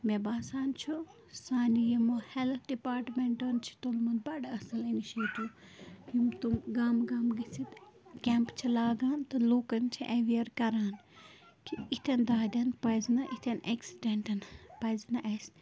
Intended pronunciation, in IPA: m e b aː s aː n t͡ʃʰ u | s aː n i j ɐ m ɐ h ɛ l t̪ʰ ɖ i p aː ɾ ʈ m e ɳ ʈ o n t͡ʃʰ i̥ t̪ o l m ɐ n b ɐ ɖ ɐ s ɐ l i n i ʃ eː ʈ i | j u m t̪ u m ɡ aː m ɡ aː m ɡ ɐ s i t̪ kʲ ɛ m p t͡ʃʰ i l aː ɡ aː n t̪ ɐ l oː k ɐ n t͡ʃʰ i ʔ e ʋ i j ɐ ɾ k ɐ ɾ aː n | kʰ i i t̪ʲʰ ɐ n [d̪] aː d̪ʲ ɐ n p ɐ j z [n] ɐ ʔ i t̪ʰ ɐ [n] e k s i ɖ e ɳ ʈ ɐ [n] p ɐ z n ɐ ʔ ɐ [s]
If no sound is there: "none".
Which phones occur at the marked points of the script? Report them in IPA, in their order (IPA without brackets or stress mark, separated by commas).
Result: d̪, n, n, n, s